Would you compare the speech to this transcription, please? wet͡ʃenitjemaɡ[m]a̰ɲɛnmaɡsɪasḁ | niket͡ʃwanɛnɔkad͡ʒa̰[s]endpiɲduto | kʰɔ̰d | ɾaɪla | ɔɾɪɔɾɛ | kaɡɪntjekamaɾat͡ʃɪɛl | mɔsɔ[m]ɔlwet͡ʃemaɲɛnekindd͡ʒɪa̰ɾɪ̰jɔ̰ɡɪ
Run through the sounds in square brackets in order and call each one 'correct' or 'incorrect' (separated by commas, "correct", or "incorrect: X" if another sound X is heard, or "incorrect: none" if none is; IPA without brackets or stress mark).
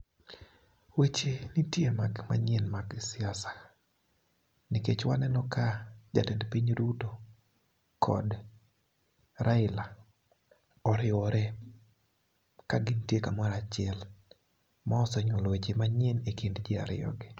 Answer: correct, incorrect: t, incorrect: ɲ